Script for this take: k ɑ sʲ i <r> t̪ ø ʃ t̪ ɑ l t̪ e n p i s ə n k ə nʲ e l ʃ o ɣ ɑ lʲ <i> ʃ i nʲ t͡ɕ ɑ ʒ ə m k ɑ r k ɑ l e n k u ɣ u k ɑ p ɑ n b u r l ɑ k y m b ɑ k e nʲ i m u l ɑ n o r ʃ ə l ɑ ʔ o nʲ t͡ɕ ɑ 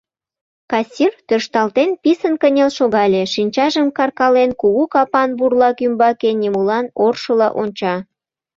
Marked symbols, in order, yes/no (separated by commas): yes, no